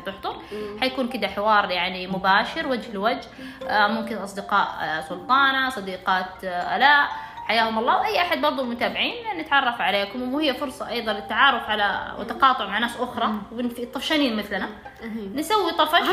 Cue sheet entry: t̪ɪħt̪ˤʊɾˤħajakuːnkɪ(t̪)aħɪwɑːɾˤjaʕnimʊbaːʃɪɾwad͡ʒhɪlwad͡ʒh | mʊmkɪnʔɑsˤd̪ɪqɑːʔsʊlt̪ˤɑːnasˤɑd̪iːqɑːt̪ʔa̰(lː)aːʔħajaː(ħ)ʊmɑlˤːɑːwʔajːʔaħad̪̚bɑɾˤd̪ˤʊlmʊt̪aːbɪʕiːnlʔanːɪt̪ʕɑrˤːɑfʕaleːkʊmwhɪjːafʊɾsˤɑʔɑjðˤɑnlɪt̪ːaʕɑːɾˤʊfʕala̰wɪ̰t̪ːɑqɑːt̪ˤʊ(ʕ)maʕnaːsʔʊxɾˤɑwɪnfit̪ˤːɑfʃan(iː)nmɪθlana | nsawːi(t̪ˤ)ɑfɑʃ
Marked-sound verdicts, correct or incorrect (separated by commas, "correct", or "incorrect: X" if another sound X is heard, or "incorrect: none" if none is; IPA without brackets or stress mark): incorrect: d̪, incorrect: l, incorrect: h, correct, correct, correct